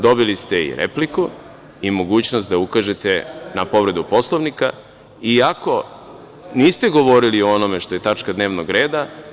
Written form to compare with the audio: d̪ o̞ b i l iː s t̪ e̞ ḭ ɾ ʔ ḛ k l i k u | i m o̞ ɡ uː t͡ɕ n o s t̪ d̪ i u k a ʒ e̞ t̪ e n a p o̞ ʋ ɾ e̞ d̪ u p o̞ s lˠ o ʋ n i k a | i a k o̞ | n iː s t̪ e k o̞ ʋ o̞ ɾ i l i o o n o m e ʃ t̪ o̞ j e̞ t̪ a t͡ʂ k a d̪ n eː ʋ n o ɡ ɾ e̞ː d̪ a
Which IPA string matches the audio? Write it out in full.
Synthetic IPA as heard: d̪ o̞ b i l i s t̪ e̞ ḭ ɾ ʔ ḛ p l i k u | i m o̞ ɡ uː t͡ɕ n o s t̪ d̪ a u k a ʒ e̞ t̪ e n a p o̞ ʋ ɾ e̞ d̪ u p o̞ s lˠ o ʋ n i k a | i a k o̞ | n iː s t̪ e ɡ o̞ ʋ o̞ ɾ i l i o o n o m e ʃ t̪ o̞ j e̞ t̪ a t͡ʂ k a d̪ n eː ʋ n o ɡ ɾ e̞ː d̪ a